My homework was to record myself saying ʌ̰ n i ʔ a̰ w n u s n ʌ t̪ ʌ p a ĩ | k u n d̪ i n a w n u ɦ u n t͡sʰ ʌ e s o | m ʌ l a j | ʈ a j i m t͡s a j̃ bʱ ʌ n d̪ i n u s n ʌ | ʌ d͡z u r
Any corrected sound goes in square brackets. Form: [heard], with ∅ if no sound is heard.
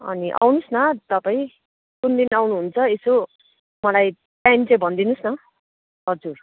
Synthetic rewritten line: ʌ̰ n i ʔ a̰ w n u s n ʌ t̪ ʌ p a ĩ | k u n d̪ i n a w n u ɦ u n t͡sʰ ʌ e s o | m ʌ l a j | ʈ a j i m t͡s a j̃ bʱ ʌ n d̪ i n u s n ʌ | ʌ d͡z u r